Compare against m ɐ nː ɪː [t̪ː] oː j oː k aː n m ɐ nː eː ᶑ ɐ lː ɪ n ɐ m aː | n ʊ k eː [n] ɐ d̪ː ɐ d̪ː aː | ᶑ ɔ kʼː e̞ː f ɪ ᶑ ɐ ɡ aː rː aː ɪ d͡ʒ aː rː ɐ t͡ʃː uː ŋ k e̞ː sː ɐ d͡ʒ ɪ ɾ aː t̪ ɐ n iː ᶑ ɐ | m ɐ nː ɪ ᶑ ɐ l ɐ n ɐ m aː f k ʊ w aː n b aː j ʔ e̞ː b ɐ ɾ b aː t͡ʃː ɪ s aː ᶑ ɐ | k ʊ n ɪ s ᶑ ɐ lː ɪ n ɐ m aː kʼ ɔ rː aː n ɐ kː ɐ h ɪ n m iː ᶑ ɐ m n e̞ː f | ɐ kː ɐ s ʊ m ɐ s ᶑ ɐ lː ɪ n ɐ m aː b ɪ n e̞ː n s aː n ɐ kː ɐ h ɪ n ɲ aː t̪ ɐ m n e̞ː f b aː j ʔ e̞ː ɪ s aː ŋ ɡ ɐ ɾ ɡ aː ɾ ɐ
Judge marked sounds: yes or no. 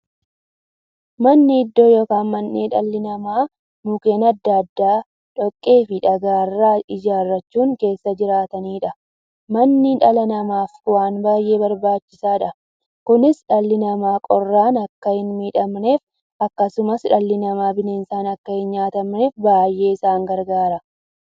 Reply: no, yes

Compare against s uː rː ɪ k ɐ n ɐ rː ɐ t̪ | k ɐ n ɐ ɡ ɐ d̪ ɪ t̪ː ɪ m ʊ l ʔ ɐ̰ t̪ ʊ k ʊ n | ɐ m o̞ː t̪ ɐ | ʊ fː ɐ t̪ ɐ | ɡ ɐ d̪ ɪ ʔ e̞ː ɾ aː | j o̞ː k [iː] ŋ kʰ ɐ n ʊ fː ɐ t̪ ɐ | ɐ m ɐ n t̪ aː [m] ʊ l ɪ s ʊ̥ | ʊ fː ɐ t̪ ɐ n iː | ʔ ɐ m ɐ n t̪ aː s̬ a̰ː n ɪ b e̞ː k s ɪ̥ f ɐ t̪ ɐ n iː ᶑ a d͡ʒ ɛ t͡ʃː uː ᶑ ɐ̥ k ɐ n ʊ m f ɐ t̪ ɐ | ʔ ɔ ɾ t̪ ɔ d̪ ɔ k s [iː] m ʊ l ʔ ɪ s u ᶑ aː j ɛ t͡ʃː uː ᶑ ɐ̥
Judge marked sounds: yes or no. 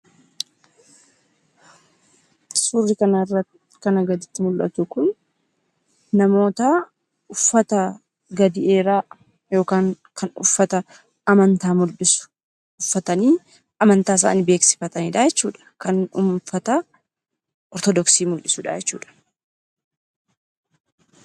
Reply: no, yes, yes

